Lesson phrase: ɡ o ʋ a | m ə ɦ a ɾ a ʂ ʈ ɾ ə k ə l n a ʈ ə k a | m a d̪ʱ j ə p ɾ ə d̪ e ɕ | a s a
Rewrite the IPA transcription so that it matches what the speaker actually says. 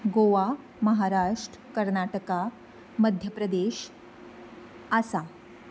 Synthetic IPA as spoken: ɡ o ʋ a | m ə ɦ a ɾ a ʂ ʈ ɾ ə k ə ɾ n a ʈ ə k a | m ə d̪ʱ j ə p ɾ ə d̪ e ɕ | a s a